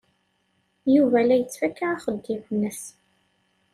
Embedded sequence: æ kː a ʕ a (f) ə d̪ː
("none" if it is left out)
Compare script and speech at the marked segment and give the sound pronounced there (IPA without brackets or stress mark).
χ